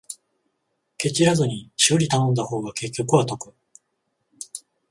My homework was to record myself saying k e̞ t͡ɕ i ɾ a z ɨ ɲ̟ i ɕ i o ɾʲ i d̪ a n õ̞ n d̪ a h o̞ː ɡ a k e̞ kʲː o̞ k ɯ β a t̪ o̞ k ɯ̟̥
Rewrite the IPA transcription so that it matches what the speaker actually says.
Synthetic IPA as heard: k e̞ t͡ɕ i ɾ a z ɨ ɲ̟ i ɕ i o ɾʲ i t̪ a n õ̞ n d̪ a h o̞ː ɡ a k e̞ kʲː o̞ k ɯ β a t̪ o̞ k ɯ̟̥